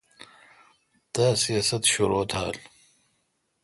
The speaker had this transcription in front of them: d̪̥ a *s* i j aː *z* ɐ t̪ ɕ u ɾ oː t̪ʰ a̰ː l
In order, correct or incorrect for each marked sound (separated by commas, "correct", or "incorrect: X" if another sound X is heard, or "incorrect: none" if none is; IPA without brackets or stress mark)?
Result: correct, incorrect: s